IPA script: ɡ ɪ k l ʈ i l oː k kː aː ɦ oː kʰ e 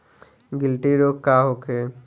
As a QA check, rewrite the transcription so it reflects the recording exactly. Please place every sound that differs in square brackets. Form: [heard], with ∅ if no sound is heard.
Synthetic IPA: ɡ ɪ [∅] l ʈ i [ɾ] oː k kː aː ɦ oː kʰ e